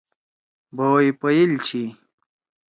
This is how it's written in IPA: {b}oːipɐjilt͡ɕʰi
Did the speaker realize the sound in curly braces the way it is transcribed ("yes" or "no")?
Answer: yes